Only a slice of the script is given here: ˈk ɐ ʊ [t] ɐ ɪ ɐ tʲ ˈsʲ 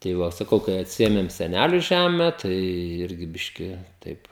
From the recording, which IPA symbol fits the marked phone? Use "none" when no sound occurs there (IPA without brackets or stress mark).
k